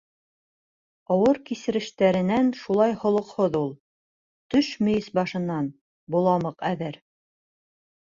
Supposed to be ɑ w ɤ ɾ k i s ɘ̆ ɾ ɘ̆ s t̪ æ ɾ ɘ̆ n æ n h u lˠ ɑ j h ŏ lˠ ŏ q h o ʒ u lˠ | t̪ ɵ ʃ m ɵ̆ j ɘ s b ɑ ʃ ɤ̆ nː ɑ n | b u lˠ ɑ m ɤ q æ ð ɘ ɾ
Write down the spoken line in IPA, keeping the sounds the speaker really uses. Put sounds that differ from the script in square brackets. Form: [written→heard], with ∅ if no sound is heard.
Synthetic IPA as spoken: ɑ w ɤ ɾ k i s ɘ̆ ɾ ɘ̆ [s→ʃ] t̪ æ ɾ ɘ̆ n æ n [h→ʃ] u lˠ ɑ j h ŏ lˠ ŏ q h o [ʒ→ð] u lˠ | t̪ ɵ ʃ m ɵ̆ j ɘ s b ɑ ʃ ɤ̆ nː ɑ n | b u lˠ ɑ m ɤ q æ ð ɘ ɾ